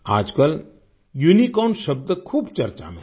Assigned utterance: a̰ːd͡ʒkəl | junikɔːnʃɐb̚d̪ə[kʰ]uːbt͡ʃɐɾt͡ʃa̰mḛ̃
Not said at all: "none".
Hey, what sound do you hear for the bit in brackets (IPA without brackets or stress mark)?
kʰ